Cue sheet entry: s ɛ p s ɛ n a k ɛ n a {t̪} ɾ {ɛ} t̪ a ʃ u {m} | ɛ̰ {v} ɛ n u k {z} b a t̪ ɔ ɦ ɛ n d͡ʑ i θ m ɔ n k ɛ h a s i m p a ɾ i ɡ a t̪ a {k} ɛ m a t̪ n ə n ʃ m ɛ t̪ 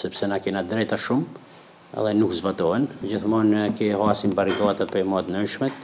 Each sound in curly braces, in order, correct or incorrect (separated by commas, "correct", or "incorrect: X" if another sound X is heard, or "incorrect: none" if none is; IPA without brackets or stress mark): incorrect: d̪, correct, correct, incorrect: ð, correct, incorrect: p